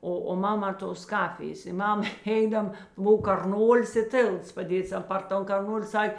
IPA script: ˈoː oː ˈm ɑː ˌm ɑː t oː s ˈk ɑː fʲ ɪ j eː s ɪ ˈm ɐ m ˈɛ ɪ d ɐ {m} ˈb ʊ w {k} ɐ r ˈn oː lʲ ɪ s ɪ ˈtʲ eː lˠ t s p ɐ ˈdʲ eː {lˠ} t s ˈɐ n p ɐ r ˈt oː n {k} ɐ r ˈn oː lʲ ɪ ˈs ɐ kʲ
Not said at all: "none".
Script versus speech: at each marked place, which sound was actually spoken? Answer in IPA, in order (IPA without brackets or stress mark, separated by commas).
m, k, none, k